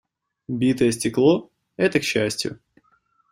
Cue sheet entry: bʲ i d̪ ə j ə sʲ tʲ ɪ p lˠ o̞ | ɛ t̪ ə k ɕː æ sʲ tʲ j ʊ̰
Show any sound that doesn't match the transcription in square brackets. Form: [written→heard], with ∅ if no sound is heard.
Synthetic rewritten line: bʲ i [d̪→t̪] ə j ə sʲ tʲ ɪ [p→k] lˠ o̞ | ɛ t̪ ə k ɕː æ sʲ tʲ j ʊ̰